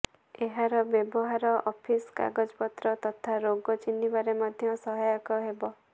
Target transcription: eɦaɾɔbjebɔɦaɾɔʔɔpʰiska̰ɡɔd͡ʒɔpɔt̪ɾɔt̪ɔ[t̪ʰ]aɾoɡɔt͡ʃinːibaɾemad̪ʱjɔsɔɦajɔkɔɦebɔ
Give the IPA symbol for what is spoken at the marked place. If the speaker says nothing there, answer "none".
t̪ʰ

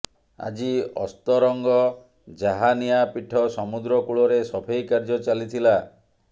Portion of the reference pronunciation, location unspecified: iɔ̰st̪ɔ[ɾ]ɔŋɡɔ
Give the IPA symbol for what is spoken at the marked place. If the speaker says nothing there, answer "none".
ɾ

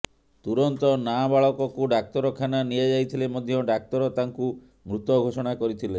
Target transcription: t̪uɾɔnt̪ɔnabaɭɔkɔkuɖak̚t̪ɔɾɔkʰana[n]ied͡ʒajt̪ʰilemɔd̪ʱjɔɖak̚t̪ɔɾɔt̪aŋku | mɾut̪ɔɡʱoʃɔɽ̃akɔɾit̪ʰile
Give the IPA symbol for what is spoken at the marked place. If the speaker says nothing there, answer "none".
n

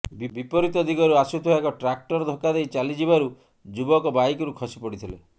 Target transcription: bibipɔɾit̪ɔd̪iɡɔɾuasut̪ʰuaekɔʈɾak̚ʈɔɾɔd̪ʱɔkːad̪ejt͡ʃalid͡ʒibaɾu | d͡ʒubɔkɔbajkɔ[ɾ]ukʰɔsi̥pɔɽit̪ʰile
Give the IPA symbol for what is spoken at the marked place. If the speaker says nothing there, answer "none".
ɾ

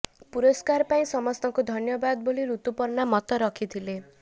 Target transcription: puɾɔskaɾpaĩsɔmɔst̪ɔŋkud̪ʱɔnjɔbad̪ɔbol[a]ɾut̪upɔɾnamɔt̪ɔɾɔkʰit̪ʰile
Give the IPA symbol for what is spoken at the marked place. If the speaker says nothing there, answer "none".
i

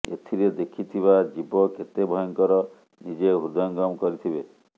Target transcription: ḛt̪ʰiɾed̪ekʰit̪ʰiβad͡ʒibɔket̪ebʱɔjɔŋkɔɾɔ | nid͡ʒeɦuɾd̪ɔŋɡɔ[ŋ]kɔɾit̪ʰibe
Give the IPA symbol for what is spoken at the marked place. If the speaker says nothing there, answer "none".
m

